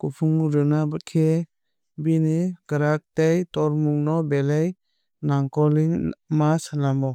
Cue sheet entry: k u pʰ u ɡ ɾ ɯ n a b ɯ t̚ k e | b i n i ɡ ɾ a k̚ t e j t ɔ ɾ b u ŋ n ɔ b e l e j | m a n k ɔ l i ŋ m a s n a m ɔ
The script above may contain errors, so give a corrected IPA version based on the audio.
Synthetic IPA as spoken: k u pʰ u ŋ ɾ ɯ n a b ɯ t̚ kʰ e | b i n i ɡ ɾ a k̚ t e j t ɔ ɾ m u ŋ n ɔ b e l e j | n a ŋ k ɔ l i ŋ m a s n a m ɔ

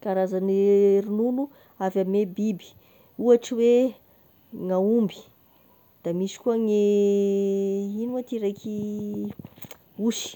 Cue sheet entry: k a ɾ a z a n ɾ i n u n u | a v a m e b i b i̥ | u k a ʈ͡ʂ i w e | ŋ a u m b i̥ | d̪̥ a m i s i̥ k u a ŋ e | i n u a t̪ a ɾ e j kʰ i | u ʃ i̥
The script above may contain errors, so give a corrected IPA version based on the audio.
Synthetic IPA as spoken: k a ɾ a z a n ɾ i n u n u | a v a m e b i b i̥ | u a ʈ͡ʂ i w e | ŋ a u m b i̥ | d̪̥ a m i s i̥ k u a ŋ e | i n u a t̪ i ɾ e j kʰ i | u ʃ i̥

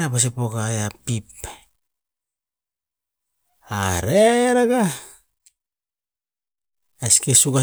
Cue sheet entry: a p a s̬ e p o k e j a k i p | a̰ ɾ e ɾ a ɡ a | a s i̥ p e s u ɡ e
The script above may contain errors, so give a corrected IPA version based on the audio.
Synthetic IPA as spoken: a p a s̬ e p o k a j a p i p | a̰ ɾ e ɾ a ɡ a | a s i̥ k e s u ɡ a

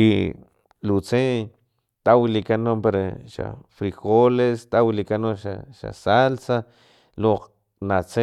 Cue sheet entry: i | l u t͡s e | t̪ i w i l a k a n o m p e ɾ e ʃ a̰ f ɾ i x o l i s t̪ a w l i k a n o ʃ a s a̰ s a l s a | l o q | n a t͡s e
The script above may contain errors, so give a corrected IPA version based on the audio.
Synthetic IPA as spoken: i | l u t͡s e | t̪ a w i l i k a n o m p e ɾ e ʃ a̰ f ɾ i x o l e s t̪ a w l i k a n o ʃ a ʃ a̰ s a l s a | l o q | n a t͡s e

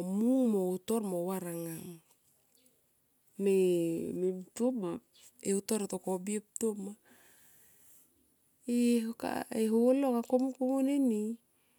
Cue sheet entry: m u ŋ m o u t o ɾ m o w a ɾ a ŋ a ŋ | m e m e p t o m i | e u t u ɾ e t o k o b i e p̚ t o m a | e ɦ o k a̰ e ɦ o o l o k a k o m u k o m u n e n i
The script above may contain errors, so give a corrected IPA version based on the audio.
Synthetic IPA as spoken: m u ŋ m o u t o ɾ m o w a ɾ a ŋ a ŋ | m e m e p t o m a | e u t o ɾ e t o k o b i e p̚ t o m a | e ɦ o k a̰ e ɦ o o l o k a k o m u k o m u n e n i

